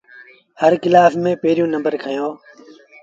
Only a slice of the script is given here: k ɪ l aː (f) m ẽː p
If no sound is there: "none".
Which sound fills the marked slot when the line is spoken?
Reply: f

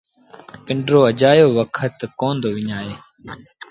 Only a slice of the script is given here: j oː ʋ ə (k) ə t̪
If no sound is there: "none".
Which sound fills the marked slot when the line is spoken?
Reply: kʰ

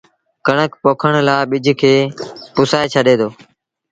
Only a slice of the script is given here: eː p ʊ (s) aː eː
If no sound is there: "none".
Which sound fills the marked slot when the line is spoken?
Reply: s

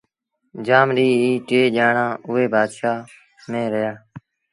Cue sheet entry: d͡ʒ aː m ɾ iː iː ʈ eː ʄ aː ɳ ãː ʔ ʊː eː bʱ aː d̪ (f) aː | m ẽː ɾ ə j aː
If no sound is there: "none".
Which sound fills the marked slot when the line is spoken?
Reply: ʃ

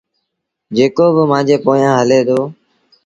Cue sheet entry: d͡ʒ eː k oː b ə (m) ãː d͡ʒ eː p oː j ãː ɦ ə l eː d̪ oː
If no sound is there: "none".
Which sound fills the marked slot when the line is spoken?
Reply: m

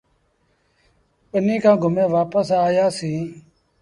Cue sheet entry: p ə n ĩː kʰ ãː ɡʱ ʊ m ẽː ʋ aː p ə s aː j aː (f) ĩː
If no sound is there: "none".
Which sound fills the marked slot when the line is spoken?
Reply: s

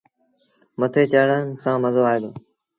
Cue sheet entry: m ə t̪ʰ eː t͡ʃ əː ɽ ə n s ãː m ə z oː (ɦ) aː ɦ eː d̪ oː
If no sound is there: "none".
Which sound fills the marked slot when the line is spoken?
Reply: none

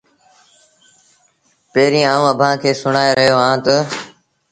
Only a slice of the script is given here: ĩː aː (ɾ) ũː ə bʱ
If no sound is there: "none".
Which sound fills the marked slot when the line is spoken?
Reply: none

